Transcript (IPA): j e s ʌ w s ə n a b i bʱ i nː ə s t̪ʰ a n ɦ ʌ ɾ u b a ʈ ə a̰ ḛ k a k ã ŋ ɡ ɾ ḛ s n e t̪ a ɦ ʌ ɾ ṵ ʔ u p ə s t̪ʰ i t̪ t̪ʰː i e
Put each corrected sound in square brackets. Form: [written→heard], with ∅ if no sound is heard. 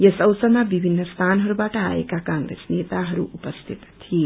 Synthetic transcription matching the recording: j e s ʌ w s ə [n→m] a b i bʱ i nː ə s t̪ʰ a n ɦ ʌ ɾ u b a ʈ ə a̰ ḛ k a k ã ŋ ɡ ɾ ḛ s n e t̪ a ɦ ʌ ɾ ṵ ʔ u p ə s t̪ʰ i t̪ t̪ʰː i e

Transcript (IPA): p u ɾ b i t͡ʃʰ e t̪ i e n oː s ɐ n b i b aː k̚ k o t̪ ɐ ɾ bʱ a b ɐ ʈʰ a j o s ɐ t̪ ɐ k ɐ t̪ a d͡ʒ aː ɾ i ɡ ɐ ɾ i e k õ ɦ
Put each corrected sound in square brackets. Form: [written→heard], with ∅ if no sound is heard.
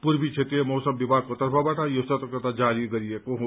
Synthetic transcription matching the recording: p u ɾ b i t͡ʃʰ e t̪ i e [n→m] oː s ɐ [n→m] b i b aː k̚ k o t̪ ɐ ɾ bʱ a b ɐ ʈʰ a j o s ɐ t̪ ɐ k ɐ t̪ a d͡ʒ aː ɾ i ɡ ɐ ɾ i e k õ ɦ

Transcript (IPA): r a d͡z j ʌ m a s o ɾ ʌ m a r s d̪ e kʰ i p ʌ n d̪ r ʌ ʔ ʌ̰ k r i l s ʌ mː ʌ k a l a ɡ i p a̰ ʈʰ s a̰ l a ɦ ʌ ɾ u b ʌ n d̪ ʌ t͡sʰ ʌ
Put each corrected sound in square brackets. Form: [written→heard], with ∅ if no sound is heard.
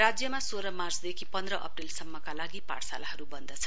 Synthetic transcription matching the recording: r a d͡z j ʌ m a s o ɾ ʌ m a r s d̪ e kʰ i p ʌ n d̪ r ʌ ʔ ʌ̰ [k→p] r i l s ʌ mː ʌ k a l a ɡ i p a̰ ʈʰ s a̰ l a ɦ ʌ ɾ u b ʌ n d̪ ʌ t͡sʰ ʌ

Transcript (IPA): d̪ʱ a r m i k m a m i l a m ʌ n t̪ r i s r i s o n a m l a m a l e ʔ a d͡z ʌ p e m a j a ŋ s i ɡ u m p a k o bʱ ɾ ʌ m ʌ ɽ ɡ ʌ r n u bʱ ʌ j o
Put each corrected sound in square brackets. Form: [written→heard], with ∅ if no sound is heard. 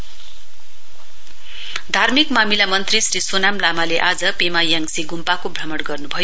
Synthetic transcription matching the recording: d̪ʱ a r m i k m a m i l a m ʌ n t̪ r i s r i s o n a m l a m a l e ʔ a d͡z ʌ p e m a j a ŋ s i ɡ u m p a k o bʱ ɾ ʌ m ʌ ɽ ɡ ʌ r n u bʱ ʌ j o

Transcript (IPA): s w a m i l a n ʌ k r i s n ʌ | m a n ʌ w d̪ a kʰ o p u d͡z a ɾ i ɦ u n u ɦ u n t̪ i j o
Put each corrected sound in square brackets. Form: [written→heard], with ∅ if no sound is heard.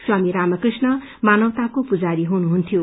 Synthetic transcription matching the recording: s w a m i [l→ɾ] a [n→m] ʌ k r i s n ʌ | m a n ʌ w [d̪→t̪] a [kʰ→k] o p u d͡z a ɾ i ɦ u n u ɦ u n [t̪→t̪ʰ] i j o

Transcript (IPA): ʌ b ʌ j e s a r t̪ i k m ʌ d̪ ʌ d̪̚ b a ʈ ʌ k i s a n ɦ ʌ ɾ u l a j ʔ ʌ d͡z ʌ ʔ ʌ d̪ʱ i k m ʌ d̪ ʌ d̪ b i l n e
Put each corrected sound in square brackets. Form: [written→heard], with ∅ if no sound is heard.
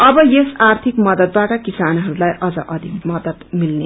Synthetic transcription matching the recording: ʌ b ʌ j e s a r [t̪→t̪ʰ] i k m ʌ d̪ ʌ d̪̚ b a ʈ ʌ k i s a n ɦ ʌ ɾ u l a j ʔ ʌ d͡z ʌ ʔ ʌ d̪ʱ i k m ʌ d̪ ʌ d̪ [b→m] i l n e

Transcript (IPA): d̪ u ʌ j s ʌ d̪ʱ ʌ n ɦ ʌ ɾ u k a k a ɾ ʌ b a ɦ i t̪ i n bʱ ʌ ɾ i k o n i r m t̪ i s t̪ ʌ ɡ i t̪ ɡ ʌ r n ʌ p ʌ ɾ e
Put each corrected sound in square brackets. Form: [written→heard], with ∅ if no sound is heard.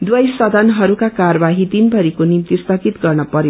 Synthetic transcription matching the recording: d̪ [u→w] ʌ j s ʌ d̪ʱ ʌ n ɦ ʌ ɾ u k a k a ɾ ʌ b a ɦ i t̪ i n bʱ ʌ ɾ i k o n i [r→∅] m t̪ i s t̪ ʌ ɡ i t̪ ɡ ʌ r n ʌ p ʌ ɾ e

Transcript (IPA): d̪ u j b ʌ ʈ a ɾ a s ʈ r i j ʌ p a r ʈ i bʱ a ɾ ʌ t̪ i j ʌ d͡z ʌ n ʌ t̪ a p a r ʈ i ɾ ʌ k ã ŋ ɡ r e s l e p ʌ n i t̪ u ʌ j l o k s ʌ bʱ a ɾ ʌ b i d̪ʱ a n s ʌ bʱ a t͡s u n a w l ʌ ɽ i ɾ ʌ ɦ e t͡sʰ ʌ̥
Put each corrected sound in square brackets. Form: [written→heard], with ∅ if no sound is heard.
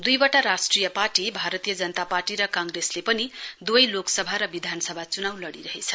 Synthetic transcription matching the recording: d̪ u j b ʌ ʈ a ɾ a s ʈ r i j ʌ p a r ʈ i bʱ a ɾ ʌ t̪ i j ʌ d͡z ʌ n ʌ t̪ a p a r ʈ i ɾ ʌ k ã ŋ ɡ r e s l e p ʌ n i [t̪→d̪] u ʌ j l o k s ʌ bʱ a ɾ ʌ b i d̪ʱ a n s ʌ bʱ a t͡s u n a w l ʌ ɽ i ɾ ʌ ɦ e t͡sʰ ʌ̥

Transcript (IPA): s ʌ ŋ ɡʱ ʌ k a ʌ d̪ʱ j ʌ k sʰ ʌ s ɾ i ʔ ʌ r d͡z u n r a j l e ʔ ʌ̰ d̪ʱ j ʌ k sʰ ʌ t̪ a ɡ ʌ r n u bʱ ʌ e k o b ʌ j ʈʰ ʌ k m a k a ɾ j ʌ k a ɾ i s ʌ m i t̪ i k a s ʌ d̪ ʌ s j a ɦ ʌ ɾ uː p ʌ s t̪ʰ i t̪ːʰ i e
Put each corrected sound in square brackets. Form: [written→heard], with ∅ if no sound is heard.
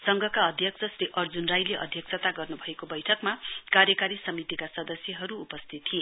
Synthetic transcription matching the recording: s ʌ ŋ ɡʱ ʌ k a ʌ d̪ʱ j ʌ k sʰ ʌ s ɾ i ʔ ʌ r d͡z u n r a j l e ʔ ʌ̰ d̪ʱ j ʌ k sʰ ʌ t̪ a ɡ ʌ r n u bʱ ʌ e k o b ʌ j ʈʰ ʌ k m a k a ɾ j ʌ k a ɾ i s ʌ m i t̪ i k a s ʌ d̪ ʌ s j [a→ʌ] ɦ ʌ ɾ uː p ʌ s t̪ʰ i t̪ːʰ i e

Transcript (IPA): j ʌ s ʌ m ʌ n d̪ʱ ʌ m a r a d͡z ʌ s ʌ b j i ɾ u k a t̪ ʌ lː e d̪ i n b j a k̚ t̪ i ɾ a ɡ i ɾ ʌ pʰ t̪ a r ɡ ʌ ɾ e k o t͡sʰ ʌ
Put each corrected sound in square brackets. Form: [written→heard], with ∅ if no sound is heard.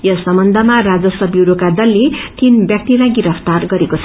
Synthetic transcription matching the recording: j ʌ s ʌ m ʌ n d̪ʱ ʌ m a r a d͡z ʌ s ʌ b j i ɾ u k a [t̪→d̪] ʌ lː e [d̪→t̪] i n b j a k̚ t̪ i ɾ a ɡ i ɾ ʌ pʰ t̪ a r ɡ ʌ ɾ e k o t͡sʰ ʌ

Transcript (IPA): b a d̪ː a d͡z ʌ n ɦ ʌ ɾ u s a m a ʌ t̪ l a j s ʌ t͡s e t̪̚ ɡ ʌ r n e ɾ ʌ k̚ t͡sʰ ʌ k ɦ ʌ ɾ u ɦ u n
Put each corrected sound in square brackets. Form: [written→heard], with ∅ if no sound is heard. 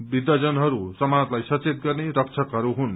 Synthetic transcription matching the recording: b [a→i] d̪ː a d͡z ʌ n ɦ ʌ ɾ u s [a→ʌ] m a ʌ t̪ l a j s ʌ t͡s e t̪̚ ɡ ʌ r n e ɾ ʌ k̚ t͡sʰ ʌ k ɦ ʌ ɾ u ɦ u n

